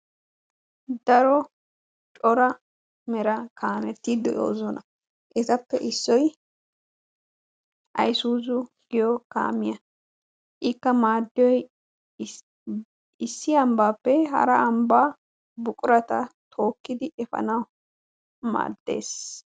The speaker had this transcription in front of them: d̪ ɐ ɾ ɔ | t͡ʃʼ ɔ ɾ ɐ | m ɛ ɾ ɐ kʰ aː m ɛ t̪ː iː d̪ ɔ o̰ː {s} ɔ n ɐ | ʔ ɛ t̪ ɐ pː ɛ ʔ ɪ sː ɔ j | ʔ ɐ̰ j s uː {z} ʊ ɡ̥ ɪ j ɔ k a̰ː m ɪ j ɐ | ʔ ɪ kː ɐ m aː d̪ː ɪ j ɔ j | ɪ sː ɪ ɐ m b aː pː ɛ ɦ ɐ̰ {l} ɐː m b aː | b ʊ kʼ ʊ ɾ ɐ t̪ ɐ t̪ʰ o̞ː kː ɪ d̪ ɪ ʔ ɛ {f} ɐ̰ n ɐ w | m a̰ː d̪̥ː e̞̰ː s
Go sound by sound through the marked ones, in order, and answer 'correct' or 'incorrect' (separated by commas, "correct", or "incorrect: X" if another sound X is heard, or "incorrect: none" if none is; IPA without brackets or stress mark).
incorrect: z, correct, incorrect: ɾ, correct